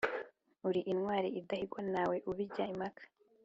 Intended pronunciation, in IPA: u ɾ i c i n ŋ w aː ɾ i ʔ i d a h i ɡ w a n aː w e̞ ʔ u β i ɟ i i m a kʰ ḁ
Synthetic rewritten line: u ɾ i ʔ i n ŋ w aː ɾ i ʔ i d a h i ɡ w a n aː w e̞ ʔ u β i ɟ a i m a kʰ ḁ